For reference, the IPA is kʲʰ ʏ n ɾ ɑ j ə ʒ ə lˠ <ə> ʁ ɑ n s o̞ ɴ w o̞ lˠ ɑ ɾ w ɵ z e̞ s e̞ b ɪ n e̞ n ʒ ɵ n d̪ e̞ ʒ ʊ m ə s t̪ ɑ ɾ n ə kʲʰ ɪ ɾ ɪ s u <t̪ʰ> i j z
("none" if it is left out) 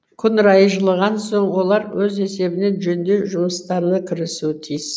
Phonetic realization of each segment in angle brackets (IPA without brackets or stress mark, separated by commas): ə, t̪ʰ